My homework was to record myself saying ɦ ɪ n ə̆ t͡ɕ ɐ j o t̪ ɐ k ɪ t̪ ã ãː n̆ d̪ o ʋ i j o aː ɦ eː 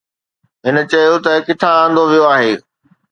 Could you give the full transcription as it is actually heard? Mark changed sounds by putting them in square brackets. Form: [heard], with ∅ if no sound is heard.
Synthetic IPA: ɦ ɪ n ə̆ t͡ɕ ɐ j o t̪ ɐ k ɪ [t̪ʰ] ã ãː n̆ d̪ o ʋ i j o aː ɦ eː